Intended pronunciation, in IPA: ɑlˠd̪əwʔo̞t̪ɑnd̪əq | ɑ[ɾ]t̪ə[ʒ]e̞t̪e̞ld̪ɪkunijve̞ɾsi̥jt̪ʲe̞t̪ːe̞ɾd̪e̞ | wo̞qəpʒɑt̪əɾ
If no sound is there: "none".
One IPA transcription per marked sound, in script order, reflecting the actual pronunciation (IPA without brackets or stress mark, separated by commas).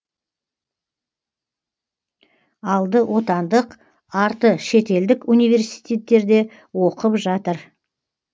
ɾ, ʃ